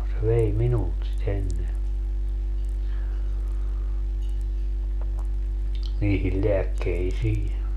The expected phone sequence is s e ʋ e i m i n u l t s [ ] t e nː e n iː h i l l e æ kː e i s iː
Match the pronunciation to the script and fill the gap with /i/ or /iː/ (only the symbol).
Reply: i